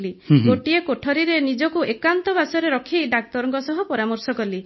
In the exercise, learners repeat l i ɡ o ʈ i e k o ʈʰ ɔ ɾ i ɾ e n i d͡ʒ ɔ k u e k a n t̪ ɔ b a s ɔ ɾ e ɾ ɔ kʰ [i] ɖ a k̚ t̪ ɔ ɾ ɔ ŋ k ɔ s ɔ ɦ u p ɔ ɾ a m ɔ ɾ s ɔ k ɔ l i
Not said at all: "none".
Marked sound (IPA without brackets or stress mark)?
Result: i